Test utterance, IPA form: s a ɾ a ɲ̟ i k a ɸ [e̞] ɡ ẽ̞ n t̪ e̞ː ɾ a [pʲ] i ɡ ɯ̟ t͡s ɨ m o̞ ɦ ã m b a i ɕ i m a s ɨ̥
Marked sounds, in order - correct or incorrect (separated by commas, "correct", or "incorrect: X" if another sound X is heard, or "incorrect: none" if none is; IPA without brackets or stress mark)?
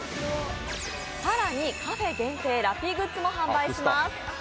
correct, correct